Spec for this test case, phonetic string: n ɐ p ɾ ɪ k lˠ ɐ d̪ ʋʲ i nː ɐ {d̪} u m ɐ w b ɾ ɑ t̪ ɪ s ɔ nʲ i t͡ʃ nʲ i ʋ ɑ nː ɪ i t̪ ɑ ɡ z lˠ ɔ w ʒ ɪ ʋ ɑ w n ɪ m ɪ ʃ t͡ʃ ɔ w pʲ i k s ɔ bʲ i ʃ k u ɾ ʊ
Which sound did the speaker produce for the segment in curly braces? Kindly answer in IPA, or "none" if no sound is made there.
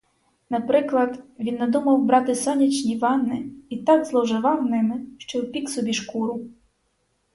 d̪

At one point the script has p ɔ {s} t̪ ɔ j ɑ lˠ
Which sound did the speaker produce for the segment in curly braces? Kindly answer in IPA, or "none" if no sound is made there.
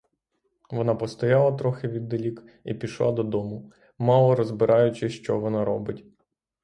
s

